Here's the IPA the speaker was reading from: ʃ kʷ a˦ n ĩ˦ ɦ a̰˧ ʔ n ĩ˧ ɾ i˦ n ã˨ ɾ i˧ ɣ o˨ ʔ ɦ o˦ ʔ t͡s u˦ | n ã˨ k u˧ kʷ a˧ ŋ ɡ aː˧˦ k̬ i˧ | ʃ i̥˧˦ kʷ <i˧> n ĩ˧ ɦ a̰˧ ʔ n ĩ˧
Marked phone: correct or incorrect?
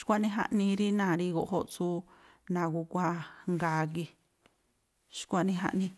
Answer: incorrect